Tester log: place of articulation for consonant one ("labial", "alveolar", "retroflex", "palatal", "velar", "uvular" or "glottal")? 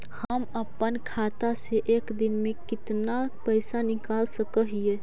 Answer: glottal